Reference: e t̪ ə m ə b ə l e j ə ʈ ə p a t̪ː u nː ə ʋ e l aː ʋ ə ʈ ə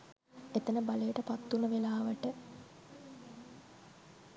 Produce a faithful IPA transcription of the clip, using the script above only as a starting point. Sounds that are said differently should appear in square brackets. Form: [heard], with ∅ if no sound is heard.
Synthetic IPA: e t̪ ə [n] ə b [a] l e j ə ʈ ə p a t̪ː u [n] ə ʋ e l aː ʋ ə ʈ ə